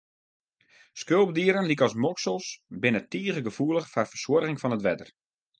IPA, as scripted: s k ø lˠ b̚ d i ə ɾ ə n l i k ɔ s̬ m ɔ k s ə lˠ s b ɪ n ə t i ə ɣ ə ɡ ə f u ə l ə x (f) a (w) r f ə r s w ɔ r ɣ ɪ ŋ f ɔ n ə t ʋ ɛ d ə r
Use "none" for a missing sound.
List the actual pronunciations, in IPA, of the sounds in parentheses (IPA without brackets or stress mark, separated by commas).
f, none